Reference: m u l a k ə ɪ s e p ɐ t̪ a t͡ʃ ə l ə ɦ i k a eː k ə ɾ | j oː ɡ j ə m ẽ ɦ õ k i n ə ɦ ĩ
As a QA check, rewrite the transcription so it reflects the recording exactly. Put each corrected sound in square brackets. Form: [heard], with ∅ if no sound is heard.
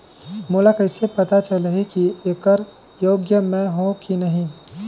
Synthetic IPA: m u l a k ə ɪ s e p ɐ t̪ a t͡ʃ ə l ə ɦ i k [i] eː k ə ɾ | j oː ɡ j ə m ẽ ɦ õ k i n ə ɦ ĩ